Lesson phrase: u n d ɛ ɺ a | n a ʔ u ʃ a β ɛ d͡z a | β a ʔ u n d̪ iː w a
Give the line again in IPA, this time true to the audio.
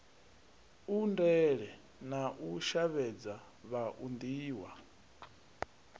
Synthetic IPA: u n d ɛ ɺ ɛ | n a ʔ u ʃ a β ɛ d͡z a | β a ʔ u n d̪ iː w a